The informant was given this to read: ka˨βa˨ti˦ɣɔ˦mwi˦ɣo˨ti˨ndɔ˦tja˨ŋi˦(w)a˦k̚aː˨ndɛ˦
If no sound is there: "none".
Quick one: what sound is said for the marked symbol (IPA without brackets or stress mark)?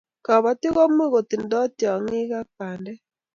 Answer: ɣ